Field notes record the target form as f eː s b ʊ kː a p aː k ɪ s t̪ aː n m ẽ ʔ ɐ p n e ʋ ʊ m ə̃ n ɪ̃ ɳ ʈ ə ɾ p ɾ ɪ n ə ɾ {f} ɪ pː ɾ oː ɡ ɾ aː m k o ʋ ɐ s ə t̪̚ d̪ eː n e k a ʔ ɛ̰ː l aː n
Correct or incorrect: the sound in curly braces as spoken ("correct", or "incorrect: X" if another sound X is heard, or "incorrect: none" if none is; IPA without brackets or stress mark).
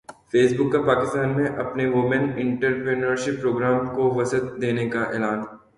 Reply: incorrect: ʃ